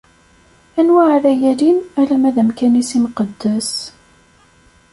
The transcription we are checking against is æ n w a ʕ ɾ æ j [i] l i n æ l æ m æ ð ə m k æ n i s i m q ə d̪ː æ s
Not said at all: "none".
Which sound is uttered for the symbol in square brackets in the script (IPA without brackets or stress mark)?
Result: æ